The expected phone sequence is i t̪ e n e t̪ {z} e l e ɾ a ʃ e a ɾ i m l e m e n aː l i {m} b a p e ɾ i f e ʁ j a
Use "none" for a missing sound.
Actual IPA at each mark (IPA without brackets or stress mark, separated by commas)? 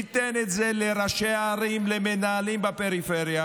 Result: z, m